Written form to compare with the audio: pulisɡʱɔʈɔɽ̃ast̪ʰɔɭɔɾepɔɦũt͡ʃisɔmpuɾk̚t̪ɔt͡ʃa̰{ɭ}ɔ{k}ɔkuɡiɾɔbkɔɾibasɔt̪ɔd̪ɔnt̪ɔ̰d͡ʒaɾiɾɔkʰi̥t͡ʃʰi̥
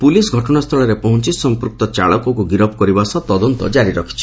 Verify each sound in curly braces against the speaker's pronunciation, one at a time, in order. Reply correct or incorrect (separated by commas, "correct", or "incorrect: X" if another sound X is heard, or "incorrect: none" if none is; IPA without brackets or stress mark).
correct, correct